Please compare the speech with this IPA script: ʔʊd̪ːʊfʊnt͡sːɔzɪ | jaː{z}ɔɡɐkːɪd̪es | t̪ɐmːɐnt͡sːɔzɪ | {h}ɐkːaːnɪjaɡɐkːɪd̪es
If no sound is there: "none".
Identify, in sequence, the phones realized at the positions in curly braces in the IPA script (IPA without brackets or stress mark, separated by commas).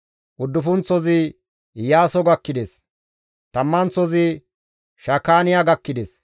s, ʃ